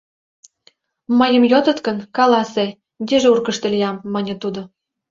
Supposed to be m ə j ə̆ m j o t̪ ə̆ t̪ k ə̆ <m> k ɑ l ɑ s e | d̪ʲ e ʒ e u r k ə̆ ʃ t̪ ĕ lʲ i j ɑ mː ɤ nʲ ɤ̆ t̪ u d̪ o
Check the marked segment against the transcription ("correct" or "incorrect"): incorrect